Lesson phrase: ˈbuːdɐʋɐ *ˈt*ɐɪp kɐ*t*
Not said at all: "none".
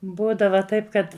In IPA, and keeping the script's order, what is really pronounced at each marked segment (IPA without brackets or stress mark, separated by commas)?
t, t